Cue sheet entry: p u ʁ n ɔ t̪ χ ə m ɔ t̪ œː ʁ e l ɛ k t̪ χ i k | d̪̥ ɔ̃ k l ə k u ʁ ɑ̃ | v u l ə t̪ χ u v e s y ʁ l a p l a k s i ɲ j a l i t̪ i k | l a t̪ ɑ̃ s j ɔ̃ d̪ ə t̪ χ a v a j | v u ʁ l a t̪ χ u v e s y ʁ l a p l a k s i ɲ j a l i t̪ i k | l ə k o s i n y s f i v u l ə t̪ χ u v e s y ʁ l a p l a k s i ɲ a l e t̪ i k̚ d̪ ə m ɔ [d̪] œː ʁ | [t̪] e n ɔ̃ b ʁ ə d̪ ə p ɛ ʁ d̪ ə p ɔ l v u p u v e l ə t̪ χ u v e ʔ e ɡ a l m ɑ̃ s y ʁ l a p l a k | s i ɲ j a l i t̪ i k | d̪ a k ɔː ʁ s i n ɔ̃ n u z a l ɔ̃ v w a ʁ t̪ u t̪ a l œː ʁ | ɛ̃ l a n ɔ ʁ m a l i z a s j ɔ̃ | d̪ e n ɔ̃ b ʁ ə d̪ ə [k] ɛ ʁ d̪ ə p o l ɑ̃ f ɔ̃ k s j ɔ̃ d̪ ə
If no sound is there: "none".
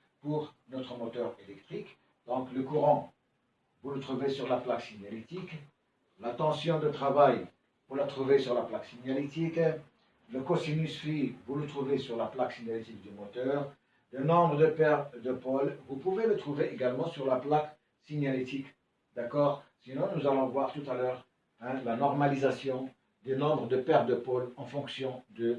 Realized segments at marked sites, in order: t̪, d̪, p

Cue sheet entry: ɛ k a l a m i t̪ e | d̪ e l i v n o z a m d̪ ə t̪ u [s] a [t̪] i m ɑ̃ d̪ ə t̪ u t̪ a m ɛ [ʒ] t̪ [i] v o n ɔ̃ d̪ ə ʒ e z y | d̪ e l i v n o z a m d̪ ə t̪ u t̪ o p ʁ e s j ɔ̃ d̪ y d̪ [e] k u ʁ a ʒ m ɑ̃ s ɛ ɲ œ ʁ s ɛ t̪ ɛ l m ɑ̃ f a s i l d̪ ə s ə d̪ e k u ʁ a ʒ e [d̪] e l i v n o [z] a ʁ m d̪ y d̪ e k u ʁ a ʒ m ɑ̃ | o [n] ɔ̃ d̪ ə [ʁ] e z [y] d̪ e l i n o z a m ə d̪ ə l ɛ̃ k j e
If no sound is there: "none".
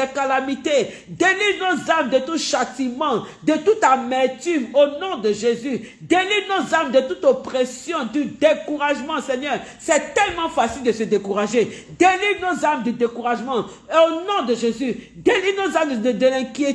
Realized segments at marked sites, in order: ʃ, t̪, ʁ, y, e, d̪, z, n, ʒ, y

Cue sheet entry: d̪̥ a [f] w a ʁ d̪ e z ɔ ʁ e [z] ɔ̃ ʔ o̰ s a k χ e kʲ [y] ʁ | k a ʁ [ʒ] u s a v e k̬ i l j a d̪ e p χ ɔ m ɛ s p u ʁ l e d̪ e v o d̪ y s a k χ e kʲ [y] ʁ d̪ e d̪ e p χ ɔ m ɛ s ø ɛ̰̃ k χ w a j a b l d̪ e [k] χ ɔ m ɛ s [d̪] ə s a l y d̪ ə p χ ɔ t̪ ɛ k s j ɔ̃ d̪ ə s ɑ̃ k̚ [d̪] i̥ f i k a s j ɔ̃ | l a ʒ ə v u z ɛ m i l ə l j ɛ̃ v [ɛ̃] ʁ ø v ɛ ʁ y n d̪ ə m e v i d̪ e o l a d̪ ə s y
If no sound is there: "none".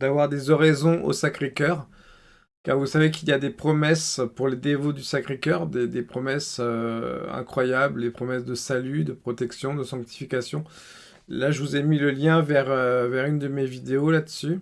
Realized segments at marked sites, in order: v, z, œ, v, œ, p, d̪, t̪, ɛ

